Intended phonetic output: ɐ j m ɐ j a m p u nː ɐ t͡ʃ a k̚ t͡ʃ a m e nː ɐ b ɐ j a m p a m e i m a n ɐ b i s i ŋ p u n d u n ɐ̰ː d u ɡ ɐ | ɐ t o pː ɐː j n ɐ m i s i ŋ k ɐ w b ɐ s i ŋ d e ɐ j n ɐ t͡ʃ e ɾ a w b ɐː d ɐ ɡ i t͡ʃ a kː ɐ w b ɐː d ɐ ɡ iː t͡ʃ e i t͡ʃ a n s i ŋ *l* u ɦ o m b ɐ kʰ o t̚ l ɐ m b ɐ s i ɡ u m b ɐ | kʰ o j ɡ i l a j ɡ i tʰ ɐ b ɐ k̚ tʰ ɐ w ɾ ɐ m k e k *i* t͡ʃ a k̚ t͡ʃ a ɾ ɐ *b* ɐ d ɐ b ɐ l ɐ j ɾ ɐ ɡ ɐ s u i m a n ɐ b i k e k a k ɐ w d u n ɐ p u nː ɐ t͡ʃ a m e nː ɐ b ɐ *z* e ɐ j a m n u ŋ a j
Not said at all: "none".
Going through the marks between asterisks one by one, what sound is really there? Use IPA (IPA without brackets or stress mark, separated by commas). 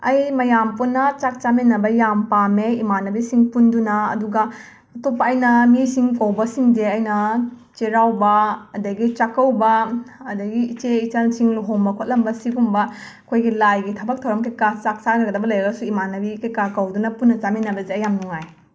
l, a, ɡ, z